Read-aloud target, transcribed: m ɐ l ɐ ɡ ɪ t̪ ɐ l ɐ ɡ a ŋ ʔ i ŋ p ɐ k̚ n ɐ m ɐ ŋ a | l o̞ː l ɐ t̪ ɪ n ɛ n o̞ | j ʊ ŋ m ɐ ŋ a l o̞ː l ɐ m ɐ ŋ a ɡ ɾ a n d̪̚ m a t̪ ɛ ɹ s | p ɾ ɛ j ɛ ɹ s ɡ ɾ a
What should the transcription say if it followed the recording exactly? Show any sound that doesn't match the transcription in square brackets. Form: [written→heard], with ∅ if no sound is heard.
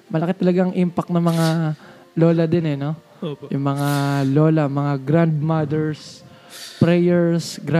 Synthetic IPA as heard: m ɐ l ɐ [ɡ→k] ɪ t̪ ɐ l ɐ ɡ a ŋ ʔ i [ŋ→m] p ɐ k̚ n ɐ m ɐ ŋ a | l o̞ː l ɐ [t̪→d̪] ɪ n ɛ n o̞ | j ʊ ŋ m ɐ ŋ a l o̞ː l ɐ m ɐ ŋ a ɡ ɾ a n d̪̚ m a [t̪→d̪] ɛ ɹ s | p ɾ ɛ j ɛ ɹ s ɡ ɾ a